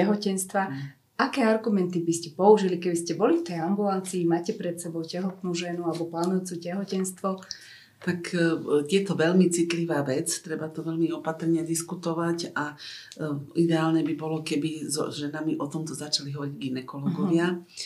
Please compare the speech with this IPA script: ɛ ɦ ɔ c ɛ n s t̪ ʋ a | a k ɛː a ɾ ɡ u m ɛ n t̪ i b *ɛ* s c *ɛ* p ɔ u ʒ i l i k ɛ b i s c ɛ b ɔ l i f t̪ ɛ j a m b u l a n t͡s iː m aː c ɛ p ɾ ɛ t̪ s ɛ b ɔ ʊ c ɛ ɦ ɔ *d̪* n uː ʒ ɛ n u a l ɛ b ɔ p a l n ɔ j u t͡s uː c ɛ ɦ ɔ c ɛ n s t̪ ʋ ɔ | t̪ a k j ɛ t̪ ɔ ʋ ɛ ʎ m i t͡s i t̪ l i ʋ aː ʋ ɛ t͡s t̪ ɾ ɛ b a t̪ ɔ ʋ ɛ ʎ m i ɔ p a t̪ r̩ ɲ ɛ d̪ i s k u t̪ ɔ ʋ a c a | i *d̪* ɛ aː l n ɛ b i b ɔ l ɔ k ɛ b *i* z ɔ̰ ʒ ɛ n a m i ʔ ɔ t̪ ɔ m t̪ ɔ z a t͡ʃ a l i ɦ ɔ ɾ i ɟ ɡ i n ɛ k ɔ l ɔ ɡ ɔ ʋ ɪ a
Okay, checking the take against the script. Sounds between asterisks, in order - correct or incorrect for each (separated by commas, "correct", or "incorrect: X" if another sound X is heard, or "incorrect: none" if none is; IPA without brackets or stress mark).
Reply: incorrect: i, correct, incorrect: t̪, correct, correct